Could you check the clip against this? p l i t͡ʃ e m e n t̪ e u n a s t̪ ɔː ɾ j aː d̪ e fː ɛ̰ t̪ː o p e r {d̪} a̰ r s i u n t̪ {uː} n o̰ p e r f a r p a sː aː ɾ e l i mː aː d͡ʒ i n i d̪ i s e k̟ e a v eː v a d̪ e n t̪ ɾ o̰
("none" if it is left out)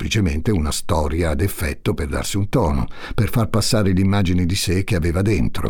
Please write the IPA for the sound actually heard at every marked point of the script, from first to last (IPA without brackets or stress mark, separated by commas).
d̪, ɔː